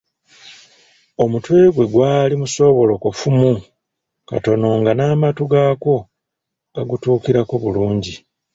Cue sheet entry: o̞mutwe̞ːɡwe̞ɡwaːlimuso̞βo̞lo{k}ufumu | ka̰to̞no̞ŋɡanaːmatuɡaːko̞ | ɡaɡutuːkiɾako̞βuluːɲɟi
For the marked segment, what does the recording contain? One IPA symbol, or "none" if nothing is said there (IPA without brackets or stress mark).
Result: k